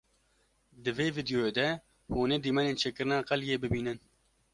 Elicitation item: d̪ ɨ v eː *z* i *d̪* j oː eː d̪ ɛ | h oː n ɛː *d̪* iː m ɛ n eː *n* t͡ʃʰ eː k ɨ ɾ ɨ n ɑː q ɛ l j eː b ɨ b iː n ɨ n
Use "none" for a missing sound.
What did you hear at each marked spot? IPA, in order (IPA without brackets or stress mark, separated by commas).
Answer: v, d̪, d̪, n